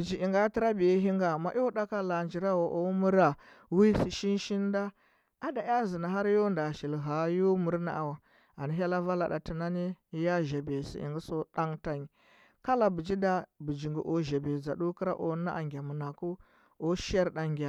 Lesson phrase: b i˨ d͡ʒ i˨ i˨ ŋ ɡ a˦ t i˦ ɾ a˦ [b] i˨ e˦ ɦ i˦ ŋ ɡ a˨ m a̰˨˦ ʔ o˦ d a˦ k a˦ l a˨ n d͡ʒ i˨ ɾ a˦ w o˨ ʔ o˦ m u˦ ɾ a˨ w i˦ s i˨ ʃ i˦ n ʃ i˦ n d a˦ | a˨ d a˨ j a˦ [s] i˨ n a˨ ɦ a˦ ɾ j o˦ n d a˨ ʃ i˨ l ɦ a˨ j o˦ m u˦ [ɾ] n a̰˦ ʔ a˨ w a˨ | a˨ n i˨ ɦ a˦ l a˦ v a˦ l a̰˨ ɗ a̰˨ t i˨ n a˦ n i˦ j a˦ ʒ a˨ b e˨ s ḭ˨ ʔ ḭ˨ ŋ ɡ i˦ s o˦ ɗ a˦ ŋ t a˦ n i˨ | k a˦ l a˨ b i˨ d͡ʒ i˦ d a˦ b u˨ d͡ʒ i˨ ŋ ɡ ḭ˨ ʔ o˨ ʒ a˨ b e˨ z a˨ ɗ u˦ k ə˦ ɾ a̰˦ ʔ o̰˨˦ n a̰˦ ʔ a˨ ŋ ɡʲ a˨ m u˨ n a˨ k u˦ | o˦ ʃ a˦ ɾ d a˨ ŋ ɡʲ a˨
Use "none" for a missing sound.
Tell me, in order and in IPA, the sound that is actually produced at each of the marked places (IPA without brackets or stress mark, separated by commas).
b, z, ɾ